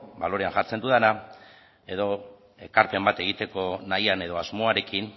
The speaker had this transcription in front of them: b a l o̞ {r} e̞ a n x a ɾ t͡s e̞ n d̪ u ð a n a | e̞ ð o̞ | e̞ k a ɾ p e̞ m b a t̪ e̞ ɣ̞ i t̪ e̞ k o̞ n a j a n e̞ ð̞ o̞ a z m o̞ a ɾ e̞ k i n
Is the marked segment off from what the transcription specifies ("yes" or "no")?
yes